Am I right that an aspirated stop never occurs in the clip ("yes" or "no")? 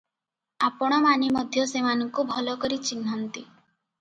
yes